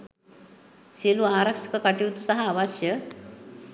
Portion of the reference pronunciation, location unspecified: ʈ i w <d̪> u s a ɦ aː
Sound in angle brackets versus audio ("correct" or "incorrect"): incorrect